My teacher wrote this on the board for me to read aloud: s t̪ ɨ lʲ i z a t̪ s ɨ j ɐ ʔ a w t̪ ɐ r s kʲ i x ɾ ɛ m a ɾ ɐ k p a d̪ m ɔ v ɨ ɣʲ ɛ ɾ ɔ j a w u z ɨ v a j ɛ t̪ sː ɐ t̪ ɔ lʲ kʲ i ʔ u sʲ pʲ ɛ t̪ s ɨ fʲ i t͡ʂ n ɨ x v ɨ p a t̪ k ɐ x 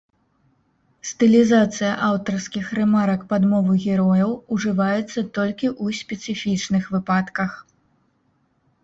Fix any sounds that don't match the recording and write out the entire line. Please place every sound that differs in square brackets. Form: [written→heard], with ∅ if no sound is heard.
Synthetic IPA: s t̪ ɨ lʲ i z a t̪ s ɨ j ɐ ʔ a w t̪ ɐ r s kʲ i x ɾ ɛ m a ɾ ɐ k p a d̪ m ɔ v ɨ ɣʲ ɛ ɾ ɔ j [a→ɐ] w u [z→ʐ] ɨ v a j ɛ t̪ sː ɐ t̪ ɔ lʲ kʲ i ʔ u sʲ pʲ ɛ t̪ s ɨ fʲ i t͡ʂ n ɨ x v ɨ p a t̪ k ɐ x